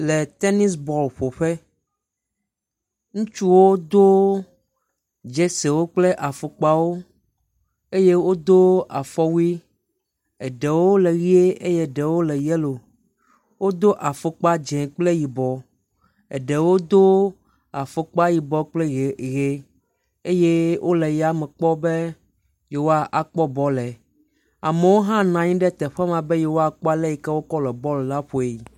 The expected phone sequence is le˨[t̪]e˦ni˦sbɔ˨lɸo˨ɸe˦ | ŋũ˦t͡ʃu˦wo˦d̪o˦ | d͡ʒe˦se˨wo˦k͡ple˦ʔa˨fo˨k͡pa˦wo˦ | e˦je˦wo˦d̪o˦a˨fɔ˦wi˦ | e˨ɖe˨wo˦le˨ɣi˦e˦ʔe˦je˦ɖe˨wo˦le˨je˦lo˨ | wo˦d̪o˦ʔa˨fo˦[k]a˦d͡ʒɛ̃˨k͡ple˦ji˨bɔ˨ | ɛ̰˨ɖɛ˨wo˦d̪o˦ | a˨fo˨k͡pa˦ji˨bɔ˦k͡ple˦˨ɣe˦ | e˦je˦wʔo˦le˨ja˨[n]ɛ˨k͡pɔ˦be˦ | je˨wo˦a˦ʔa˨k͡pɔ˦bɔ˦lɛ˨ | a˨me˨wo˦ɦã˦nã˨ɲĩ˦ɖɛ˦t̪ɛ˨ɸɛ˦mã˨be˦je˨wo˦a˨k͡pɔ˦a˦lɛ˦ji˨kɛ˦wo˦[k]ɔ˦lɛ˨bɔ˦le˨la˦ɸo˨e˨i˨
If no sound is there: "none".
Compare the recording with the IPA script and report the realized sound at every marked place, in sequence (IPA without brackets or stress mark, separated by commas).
t̪, k͡p, m, k